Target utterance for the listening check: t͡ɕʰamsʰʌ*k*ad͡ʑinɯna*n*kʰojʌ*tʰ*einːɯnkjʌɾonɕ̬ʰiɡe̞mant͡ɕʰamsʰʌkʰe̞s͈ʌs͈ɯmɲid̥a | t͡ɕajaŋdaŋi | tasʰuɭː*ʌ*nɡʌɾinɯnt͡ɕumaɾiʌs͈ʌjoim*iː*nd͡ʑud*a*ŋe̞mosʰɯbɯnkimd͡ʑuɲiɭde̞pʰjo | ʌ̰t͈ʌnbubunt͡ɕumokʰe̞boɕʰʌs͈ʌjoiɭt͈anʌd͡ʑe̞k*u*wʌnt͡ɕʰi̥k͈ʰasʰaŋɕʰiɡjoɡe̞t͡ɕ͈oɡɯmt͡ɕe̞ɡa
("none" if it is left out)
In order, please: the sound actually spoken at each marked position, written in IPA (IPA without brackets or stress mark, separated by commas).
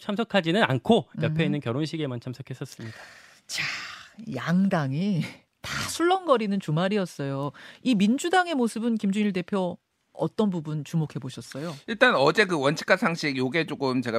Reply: kʰ, n, pʰ, ʌ, i, a, ɯ